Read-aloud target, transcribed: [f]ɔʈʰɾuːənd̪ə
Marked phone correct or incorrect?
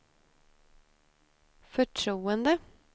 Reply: correct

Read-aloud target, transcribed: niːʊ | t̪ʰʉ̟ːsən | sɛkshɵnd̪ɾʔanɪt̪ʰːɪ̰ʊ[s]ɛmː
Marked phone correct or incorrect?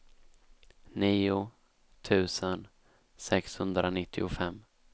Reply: incorrect: f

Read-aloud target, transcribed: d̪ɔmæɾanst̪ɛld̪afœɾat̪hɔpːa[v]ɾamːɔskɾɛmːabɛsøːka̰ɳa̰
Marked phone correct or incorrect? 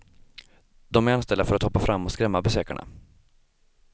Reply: incorrect: f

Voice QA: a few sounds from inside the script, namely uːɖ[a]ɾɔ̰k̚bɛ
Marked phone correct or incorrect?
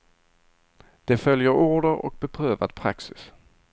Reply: incorrect: ə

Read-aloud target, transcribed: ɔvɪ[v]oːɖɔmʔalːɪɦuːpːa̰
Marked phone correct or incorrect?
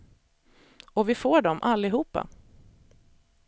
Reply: incorrect: f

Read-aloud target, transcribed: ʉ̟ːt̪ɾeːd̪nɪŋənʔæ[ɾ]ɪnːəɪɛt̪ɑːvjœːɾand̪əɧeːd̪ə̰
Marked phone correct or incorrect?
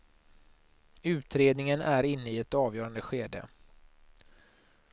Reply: correct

